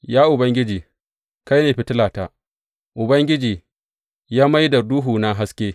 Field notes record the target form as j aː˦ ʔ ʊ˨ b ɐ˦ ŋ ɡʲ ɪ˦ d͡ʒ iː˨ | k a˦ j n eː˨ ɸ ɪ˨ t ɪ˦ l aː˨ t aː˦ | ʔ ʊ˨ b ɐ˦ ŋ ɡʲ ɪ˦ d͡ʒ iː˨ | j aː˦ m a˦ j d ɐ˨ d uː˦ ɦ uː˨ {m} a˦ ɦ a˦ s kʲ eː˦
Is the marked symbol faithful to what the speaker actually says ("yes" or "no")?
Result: no